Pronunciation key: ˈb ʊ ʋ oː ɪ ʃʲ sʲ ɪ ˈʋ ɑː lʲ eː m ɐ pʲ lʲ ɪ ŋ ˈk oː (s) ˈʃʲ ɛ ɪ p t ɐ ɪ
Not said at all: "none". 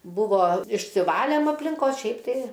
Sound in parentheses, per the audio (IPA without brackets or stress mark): s